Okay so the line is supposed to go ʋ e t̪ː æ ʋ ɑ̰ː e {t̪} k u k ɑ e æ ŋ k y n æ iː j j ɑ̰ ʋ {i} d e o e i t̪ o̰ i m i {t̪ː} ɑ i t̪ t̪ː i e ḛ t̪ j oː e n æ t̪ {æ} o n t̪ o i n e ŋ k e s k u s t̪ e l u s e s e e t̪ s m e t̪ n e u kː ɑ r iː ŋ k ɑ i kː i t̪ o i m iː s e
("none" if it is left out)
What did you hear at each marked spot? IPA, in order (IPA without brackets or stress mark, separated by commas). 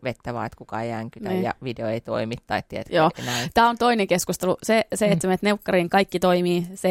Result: t̪, i, t̪ː, æː